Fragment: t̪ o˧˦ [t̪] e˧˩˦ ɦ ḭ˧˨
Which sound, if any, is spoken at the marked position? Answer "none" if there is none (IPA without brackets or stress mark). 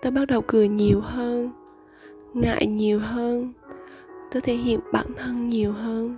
t̪ʰ